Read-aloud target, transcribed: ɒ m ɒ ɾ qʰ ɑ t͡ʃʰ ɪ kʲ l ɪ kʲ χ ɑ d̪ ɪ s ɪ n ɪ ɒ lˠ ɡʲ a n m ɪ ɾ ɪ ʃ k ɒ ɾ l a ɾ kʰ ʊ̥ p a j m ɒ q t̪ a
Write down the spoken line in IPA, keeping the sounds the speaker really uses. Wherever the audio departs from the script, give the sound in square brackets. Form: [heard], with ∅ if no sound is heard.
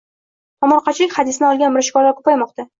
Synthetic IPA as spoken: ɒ m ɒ ɾ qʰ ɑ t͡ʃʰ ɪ [∅] l ɪ kʲ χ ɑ d̪ ɪ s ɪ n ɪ ɒ lˠ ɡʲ a n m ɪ ɾ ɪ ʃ k ɒ ɾ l a ɾ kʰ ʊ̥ p a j m ɒ q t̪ a

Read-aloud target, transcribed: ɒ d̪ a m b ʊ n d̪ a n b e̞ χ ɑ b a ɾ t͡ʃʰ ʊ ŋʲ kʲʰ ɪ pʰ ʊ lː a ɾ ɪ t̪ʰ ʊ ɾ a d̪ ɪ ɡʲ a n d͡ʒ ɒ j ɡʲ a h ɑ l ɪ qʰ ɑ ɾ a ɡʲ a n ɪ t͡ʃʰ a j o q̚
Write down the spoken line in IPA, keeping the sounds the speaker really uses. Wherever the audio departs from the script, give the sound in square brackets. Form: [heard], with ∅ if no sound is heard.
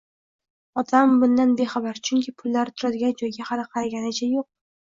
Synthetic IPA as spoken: ɒ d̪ a m b ʊ n d̪ a n b e̞ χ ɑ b a ɾ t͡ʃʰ ʊ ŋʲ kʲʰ ɪ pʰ ʊ lː a ɾ ɪ t̪ʰ ʊ ɾ a d̪ ɪ ɡʲ a n d͡ʒ ɒ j ɡʲ a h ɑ l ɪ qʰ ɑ ɾ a ɡʲ a n ɪ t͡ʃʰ a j o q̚

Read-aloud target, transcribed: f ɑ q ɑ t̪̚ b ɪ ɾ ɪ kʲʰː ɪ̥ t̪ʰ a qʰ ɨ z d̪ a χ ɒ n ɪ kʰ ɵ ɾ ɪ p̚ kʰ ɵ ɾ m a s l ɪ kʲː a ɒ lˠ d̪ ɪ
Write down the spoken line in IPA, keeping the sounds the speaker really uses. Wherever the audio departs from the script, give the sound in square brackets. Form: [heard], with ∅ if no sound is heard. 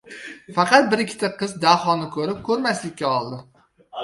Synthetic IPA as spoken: f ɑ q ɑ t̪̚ b ɪ ɾ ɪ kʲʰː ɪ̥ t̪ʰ a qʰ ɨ z d̪ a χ ɒ n ɪ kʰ ɵ ɾ ɪ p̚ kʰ ɵ ɾ m a s l ɪ kʲː a ɒ lˠ d̪ ɪ

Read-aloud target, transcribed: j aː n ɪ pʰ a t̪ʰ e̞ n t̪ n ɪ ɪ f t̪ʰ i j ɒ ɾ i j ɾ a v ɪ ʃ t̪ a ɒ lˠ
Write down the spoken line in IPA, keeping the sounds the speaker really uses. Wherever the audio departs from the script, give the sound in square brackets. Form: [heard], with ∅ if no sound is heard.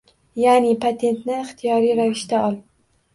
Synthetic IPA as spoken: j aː n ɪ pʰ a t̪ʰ e̞ n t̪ n ɪ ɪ [χ] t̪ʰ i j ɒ ɾ i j ɾ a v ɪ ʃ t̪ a ɒ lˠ

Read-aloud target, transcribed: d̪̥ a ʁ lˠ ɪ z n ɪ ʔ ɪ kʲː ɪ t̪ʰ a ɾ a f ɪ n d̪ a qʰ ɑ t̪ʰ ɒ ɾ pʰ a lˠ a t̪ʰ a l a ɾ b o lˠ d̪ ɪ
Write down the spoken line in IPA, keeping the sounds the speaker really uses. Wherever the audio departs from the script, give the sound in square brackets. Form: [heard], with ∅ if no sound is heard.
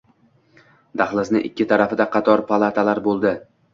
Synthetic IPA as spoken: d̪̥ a [χ] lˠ ɪ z n ɪ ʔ ɪ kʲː ɪ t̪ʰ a ɾ a f ɪ [∅] d̪ a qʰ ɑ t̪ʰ ɒ ɾ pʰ a lˠ a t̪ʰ a l a ɾ b o lˠ d̪ ɪ

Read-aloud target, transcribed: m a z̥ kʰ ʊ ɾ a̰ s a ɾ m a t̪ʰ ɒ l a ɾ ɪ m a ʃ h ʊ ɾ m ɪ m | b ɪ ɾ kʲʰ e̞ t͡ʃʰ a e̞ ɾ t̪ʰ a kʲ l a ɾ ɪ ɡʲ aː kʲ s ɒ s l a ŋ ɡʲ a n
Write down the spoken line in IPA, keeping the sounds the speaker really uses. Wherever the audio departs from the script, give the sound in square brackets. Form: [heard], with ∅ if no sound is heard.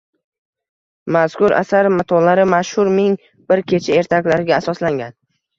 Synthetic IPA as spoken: m a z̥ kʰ ʊ ɾ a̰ s a ɾ m a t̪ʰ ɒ l a ɾ ɪ m a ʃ h ʊ ɾ m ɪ [ŋ] | b ɪ ɾ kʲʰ e̞ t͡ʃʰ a e̞ ɾ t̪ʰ a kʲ l a ɾ ɪ ɡʲ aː [∅] s ɒ s l a ŋ ɡʲ a n

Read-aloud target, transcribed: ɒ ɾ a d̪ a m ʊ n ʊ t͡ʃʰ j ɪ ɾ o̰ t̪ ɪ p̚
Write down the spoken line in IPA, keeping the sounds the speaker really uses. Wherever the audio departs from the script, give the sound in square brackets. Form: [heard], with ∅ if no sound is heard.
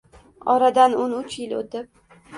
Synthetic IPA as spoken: ɒ ɾ a d̪ a [n] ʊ n ʊ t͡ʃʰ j ɪ [l] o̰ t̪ ɪ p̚

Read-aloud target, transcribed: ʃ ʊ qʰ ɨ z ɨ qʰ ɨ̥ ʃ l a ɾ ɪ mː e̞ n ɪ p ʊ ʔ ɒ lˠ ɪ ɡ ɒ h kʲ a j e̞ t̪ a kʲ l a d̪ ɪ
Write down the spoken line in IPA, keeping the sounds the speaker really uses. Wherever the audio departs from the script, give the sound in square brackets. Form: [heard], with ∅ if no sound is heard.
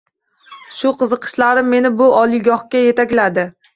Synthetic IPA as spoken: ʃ ʊ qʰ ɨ z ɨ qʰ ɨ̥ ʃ l a ɾ ɪ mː e̞ n ɪ [b] ʊ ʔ ɒ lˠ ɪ ɡ ɒ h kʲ a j e̞ t̪ a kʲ l a d̪ ɪ

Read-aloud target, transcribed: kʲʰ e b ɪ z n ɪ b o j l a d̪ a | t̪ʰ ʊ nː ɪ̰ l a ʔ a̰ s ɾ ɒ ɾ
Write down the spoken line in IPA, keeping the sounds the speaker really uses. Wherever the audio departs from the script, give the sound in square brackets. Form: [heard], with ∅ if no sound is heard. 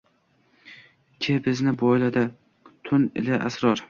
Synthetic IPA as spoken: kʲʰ e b ɪ z n ɪ b [ɒ] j l a d̪ a | t̪ʰ ʊ [n] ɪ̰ l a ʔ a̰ s ɾ ɒ ɾ

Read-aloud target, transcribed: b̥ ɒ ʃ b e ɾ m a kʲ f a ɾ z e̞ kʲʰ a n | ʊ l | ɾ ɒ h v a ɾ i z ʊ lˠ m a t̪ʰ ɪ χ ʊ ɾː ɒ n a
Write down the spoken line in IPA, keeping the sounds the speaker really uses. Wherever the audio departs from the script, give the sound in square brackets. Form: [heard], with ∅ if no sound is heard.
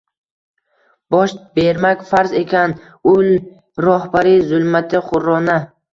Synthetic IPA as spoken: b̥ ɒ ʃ b e ɾ m a kʲ f a ɾ z e̞ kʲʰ a n | ʊ l | ɾ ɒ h [b] a ɾ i z ʊ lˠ m a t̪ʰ ɪ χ ʊ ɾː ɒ n a

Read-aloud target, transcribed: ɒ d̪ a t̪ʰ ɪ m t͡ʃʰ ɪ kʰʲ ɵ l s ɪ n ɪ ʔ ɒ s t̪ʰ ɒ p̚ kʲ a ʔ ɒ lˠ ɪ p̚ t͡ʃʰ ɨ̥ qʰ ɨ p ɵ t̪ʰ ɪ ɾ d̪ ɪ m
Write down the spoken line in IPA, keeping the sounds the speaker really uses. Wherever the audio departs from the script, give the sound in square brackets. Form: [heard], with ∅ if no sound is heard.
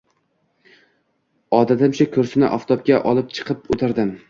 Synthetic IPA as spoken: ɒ d̪ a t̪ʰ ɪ m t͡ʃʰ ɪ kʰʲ ɵ [ɾ] s ɪ n ɪ ʔ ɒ [f] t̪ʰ ɒ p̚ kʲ a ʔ ɒ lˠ ɪ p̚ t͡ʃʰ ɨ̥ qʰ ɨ p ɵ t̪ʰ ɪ ɾ d̪ ɪ m

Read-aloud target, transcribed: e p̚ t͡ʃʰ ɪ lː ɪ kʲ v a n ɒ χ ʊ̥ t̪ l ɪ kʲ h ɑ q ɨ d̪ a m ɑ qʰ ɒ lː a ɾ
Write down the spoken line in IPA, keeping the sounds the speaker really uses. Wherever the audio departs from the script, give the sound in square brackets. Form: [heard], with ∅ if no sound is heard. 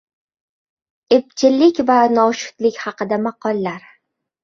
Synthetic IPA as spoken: e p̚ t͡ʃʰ ɪ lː ɪ kʲ v a n ɒ [ʃ] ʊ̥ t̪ l ɪ kʲ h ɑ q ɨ d̪ a m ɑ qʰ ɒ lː a ɾ

